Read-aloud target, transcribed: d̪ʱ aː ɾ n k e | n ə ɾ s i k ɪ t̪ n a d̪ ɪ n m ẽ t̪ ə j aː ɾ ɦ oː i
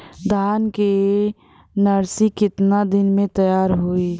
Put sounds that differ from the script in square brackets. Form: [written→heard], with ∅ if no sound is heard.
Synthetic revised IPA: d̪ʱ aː [ɾ→∅] n k e | n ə ɾ s i k ɪ t̪ n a d̪ ɪ n m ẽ t̪ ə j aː ɾ ɦ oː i